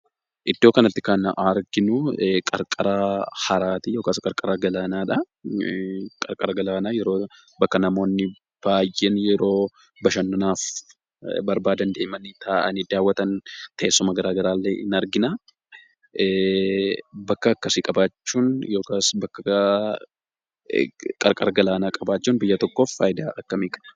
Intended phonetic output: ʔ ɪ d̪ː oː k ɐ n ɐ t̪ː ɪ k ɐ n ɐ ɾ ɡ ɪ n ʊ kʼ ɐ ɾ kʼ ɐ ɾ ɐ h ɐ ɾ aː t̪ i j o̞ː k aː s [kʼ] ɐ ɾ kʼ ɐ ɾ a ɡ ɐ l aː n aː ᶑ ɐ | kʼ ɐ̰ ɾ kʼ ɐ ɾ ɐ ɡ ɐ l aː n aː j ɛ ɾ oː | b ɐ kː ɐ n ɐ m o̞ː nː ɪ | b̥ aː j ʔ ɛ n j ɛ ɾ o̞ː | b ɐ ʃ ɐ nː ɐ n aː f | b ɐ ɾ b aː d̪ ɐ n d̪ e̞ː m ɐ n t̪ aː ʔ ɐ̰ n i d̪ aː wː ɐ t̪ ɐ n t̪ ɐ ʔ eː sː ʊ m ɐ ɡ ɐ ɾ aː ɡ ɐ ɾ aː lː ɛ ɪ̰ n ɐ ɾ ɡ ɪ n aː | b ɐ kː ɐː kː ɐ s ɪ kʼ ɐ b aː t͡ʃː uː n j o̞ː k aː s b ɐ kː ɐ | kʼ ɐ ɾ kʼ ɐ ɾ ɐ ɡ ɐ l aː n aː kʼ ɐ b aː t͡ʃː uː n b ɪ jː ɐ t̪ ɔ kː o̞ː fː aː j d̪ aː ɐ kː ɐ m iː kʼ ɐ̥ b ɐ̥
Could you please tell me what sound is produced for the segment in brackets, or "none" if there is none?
kʼ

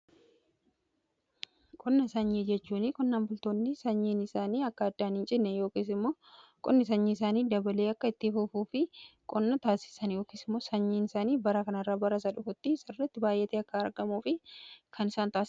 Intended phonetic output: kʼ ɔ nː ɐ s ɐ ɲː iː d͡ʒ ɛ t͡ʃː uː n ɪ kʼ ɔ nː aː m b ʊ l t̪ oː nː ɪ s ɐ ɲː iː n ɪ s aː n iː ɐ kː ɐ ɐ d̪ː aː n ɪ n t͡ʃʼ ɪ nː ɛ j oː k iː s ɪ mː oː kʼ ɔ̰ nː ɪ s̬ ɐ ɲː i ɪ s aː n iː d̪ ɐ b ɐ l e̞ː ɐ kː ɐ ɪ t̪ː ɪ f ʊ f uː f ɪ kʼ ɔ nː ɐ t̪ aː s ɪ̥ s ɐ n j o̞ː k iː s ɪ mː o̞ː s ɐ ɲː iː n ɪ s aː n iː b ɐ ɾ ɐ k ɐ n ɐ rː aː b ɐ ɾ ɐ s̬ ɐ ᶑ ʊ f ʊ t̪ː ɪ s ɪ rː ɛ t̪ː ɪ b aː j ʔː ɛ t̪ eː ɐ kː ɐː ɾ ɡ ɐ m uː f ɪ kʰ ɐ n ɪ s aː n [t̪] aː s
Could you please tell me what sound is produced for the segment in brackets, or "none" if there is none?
t̪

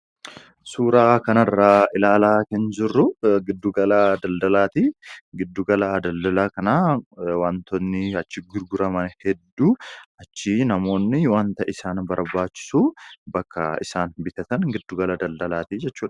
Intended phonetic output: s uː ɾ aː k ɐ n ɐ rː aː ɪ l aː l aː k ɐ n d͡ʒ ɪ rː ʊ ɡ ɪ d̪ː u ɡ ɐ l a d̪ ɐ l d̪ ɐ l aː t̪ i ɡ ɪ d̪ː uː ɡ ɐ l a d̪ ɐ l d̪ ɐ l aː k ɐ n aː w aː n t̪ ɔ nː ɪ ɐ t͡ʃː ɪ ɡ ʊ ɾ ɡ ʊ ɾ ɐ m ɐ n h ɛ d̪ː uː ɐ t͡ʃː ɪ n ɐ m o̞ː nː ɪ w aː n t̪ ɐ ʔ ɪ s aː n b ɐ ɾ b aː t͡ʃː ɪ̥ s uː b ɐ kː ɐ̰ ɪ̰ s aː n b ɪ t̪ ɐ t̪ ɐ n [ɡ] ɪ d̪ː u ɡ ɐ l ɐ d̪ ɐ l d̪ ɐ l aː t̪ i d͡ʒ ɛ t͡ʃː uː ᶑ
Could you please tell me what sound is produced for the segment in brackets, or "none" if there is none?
ɡ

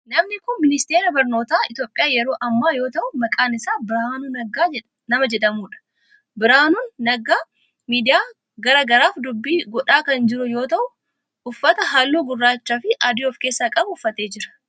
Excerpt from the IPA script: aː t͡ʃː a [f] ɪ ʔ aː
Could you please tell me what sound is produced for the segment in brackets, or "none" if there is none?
f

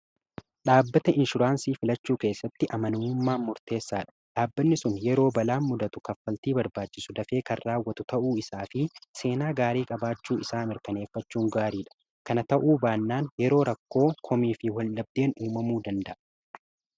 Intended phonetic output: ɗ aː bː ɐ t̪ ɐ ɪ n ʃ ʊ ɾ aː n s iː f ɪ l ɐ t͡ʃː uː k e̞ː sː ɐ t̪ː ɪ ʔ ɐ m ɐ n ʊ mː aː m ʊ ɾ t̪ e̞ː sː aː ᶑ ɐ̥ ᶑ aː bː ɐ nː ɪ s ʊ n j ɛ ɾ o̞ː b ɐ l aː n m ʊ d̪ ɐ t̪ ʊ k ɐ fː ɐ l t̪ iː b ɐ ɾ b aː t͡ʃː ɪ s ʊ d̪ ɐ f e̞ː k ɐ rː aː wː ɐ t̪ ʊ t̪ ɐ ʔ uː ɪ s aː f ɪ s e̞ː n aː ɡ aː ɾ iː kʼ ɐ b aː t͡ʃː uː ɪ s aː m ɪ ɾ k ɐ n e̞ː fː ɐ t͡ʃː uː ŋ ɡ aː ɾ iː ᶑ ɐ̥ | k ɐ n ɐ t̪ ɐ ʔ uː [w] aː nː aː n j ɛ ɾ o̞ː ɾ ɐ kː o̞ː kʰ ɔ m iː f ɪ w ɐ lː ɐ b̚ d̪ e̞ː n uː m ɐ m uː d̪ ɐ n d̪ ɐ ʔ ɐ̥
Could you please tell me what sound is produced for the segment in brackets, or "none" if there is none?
b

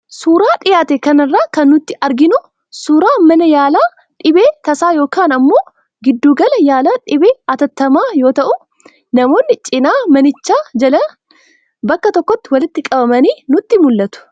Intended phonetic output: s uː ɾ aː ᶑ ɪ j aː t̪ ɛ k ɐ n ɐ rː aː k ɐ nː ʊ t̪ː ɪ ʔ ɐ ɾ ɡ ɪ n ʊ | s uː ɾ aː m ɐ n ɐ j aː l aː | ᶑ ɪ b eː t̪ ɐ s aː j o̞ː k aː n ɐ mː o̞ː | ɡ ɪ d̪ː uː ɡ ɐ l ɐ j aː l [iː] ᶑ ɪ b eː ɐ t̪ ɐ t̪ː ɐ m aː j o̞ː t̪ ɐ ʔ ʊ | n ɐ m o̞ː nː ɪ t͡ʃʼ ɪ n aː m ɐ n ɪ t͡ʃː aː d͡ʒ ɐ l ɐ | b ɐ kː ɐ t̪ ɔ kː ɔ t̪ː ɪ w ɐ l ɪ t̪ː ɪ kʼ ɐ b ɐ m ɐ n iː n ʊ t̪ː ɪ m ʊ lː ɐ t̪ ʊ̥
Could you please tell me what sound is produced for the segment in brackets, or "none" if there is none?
aː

